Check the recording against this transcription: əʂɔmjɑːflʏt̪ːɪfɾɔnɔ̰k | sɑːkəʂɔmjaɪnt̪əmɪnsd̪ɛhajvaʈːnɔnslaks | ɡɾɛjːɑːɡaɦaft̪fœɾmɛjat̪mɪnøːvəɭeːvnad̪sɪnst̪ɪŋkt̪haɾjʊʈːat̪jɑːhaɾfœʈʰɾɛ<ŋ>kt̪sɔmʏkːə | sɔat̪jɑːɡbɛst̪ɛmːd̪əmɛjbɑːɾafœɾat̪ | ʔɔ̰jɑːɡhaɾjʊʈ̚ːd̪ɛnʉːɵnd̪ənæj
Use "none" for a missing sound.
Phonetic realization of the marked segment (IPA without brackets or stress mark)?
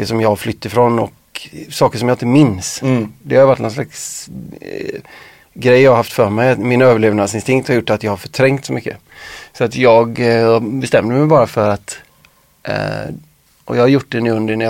ŋ